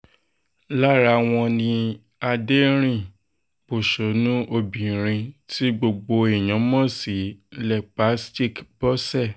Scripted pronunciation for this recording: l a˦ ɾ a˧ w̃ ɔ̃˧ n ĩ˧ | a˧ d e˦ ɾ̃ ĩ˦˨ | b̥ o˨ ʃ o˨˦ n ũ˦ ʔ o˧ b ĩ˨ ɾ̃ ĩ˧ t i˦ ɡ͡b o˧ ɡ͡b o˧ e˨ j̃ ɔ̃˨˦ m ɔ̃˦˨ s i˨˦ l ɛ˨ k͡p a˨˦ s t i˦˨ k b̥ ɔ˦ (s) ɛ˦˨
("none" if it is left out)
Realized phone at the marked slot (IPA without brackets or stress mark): s